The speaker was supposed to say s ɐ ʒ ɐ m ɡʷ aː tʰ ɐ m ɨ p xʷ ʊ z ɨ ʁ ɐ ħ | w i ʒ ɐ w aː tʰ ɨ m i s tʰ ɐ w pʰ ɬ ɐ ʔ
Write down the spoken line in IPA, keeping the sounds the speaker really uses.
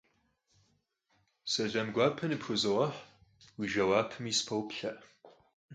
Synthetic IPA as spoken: s ɐ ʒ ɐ m ɡʷ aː pʰ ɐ n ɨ p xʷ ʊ z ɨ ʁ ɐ ħ | w i ʒ ɐ w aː pʰ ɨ m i s pʰ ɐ w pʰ ɬ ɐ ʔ

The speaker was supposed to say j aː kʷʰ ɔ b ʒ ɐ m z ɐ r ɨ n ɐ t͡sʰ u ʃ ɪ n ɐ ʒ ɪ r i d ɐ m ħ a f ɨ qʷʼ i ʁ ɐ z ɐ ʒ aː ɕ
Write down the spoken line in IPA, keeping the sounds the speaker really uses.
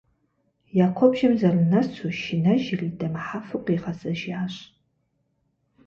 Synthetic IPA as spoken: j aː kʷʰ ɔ b ʒ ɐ m z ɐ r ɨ n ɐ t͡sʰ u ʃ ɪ n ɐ ʒ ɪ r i d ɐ m ħ a f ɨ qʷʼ i ʁ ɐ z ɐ ʒ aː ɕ

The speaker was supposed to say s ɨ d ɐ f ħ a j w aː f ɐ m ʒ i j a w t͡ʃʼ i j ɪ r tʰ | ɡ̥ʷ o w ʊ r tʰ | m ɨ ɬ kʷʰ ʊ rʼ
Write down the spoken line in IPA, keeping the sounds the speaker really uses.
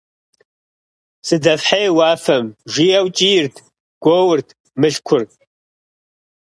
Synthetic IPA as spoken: s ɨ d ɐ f ħ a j w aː f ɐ m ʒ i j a w t͡ʃʼ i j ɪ r tʰ | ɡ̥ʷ o w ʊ r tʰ | m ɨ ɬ kʷʰ ʊ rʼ

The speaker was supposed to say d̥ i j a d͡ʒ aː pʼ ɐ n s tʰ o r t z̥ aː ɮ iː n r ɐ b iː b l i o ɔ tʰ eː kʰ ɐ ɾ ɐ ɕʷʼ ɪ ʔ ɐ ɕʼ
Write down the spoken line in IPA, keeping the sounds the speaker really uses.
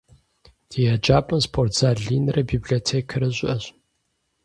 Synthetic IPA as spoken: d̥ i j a d͡ʒ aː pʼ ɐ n s pʰ o r t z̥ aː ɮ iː n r ɐ b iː b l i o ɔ tʰ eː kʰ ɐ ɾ ɐ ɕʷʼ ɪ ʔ ɐ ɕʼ

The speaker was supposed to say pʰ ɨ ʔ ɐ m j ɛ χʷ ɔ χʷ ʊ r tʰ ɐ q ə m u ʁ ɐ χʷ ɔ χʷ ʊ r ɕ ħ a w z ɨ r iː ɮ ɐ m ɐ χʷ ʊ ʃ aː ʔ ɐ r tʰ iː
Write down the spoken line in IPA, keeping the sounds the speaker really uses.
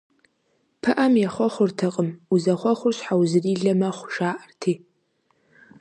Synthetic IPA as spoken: pʰ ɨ ʔ ɐ m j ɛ χʷ ɔ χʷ ʊ r tʰ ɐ qʼ ə m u z ɐ χʷ ɔ χʷ ʊ r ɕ ħ a w z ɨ r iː ɮ ɐ m ɐ χʷ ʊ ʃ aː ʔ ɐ r tʰ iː

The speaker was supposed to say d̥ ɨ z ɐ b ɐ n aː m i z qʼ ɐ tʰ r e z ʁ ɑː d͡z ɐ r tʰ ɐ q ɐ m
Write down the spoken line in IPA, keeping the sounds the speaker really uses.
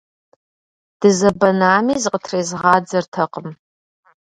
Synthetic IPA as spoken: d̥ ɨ z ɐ b ɐ n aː m i z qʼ ə tʰ r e z ʁ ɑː d͡z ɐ r tʰ ɐ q ə m

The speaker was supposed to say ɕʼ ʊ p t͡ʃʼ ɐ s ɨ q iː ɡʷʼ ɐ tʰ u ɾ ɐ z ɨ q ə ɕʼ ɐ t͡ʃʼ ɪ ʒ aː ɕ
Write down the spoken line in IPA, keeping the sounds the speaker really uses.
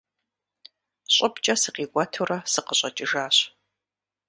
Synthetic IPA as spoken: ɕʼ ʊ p t͡ʃʼ ɐ s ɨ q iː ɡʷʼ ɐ tʰ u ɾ ɐ s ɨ q ə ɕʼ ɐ t͡ʃʼ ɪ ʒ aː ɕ

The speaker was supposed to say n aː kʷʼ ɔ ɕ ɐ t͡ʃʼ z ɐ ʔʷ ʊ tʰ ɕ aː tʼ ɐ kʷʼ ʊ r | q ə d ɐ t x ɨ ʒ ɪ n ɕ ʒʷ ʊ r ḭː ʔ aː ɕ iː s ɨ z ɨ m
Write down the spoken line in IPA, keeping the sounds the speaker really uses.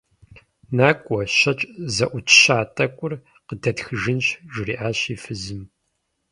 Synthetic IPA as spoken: n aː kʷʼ ɔ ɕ ɐ t͡ʃʼ z ɐ ʔʷ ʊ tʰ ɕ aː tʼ ɐ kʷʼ ʊ r | q ə d ɐ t x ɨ ʒ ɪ n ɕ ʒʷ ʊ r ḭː ʔ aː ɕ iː f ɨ z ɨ m

